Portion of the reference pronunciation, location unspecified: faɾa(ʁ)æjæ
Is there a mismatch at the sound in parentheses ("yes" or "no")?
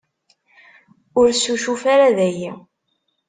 yes